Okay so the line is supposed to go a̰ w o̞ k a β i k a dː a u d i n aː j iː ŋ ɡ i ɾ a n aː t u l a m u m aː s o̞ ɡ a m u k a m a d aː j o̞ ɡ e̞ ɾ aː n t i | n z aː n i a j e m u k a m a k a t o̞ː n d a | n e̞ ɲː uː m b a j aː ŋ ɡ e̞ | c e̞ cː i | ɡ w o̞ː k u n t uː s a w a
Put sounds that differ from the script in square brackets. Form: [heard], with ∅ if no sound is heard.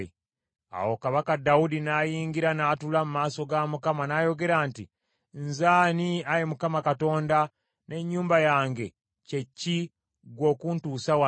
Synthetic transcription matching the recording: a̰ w o̞ k a β [a] k a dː a u d i n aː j iː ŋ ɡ i ɾ a n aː t u l a m u m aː s o̞ ɡ a m u k a m a [n] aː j o̞ ɡ e̞ ɾ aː n t i | n z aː n i a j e m u k a m a k a t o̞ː n d a | n e̞ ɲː uː m b a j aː ŋ ɡ e̞ | c e̞ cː i | ɡ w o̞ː k u n t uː s a w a

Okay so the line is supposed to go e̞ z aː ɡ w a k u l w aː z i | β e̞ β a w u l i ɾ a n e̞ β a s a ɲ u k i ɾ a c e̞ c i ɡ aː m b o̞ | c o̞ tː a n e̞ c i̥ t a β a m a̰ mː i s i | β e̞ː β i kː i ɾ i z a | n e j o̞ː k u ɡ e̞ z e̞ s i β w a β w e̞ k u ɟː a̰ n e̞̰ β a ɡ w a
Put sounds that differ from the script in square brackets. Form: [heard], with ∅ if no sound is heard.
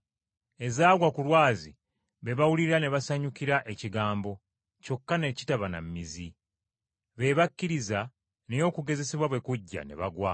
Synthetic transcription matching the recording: e̞ z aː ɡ w a k u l w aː z i | β e̞ β a w u l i ɾ a n e̞ β a s a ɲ u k i ɾ a [ʔ] e̞ c i ɡ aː m b o̞ | c o̞ [kː] a n e̞ c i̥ t a β a [n] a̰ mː i [z] i | β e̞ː β [a] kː i ɾ i z a | n e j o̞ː k u ɡ e̞ z e̞ s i β w a β w e̞ k u ɟː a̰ n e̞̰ β a ɡ w a

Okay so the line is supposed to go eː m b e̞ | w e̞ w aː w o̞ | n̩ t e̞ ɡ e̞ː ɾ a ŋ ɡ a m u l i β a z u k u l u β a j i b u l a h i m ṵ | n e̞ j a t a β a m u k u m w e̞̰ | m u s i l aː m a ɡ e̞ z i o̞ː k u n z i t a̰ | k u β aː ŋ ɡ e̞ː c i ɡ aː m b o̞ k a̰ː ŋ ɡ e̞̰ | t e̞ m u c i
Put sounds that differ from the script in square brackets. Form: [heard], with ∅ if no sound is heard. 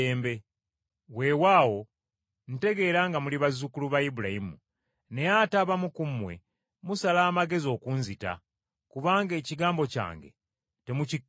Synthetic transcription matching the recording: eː m b e̞ | w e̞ w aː w o̞ | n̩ t e̞ ɡ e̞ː ɾ a ŋ ɡ a m u l i β a z u k u l u β a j i b u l a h i m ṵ | n e̞ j a t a β a m u k u m w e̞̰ | m u s [a] l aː m a ɡ e̞ z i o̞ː k u n z i t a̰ | k u β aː ŋ ɡ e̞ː c i ɡ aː m b o̞ [c] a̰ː ŋ ɡ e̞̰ | t e̞ m u c i

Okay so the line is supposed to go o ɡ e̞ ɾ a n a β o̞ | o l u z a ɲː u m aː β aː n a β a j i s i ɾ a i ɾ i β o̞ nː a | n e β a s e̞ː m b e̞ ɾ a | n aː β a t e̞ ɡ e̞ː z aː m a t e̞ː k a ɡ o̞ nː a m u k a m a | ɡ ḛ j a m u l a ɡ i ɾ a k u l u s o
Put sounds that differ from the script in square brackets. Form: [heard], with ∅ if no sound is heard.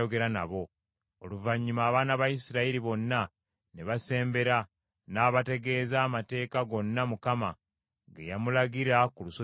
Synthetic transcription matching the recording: o ɡ e̞ ɾ a n a β o̞ | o l u [v] a ɲː u m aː β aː n a β a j i s i ɾ a i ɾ i β o̞ nː a | n e β a s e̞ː m b e̞ ɾ a | n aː β a t e̞ ɡ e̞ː z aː m a t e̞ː k a ɡ o̞ nː a m u k a m a | ɡ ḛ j a m u l a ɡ i ɾ a k u l u s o

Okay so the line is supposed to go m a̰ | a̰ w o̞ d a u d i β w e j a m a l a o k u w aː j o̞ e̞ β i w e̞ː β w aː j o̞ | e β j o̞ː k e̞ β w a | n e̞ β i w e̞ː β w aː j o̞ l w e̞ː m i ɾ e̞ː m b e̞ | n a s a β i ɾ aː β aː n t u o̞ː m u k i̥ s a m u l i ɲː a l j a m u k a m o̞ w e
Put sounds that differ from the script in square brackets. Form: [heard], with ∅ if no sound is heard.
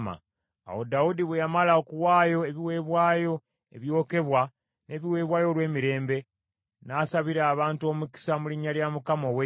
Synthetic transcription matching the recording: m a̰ | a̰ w o̞ d a u d i β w e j a m a l a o k u w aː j o̞ e̞ β i w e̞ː β w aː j o̞ | e β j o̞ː k e̞ β w a | n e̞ β i w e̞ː β w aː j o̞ l w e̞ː m i ɾ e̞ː m b e̞ | n a s a β i ɾ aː β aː n t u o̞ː m u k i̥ s a m u l i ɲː a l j a m u k a m o̞ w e

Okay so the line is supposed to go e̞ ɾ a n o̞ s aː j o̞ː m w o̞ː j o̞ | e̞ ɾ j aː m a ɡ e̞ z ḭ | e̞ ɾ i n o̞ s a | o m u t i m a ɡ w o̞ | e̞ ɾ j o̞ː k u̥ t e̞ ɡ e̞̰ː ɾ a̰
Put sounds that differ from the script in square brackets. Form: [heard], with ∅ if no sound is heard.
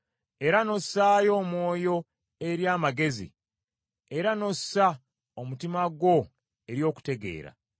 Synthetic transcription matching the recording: e̞ ɾ a n o̞ s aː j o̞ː m w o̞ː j o̞ | e̞ ɾ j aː m a ɡ e̞ z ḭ | e̞ ɾ [a] n o̞ s a | o m u t i m a ɡ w o̞ | e̞ ɾ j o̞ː k u̥ t e̞ ɡ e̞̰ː ɾ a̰

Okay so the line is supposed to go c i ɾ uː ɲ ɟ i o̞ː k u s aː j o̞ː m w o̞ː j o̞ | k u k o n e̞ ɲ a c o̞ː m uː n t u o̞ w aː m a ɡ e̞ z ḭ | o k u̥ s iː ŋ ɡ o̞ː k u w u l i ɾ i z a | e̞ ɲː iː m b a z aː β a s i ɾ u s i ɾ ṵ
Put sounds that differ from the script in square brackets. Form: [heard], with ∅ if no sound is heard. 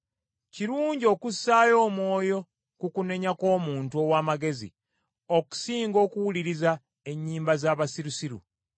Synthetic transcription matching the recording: c i ɾ uː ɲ ɟ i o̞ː k u s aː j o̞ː m w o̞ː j o̞ | k u k [u] n e̞ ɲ a [k] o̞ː m uː n t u o̞ w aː m a ɡ e̞ z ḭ | o k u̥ s iː ŋ ɡ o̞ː k u w u l i ɾ i z a | e̞ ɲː iː m b a z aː β a s i ɾ u s i ɾ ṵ

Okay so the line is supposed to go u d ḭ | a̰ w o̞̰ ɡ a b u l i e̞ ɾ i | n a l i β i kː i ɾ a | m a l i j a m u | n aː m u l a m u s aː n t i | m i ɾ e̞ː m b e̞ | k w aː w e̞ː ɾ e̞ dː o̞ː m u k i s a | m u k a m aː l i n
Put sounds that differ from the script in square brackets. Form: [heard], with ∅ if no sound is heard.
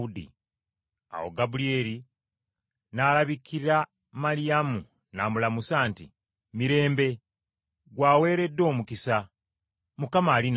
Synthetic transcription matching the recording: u d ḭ | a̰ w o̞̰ ɡ a b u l i e̞ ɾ i | n a l [a] β i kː i ɾ a | m a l i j a m u | n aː m u l a m u s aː n t i | m i ɾ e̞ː m b e̞ | [ɡ] w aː w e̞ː ɾ e̞ dː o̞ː m u k i s a | m u k a m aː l i n

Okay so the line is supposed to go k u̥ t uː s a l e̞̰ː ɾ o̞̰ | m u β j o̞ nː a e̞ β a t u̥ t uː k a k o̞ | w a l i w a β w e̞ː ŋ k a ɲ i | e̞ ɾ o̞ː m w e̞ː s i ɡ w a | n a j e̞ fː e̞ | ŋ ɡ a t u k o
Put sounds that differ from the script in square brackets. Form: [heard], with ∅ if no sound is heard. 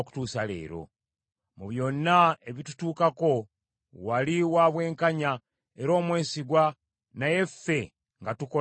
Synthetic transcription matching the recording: k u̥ t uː s a l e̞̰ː ɾ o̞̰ | m u β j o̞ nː a e̞ β [i] t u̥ t uː k a k o̞ | w a l i w a β w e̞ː ŋ k a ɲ [a] | e̞ ɾ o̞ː m w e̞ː s i ɡ w a | n a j e̞ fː e̞ | ŋ ɡ a t u k o

